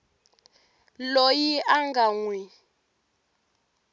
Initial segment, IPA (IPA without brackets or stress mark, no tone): l